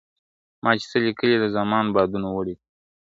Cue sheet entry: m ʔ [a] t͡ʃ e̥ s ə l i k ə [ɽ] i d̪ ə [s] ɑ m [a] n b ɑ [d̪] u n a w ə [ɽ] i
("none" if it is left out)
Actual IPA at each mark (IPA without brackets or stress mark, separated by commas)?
ɑ, l, z, ɑ, d̪, ɽ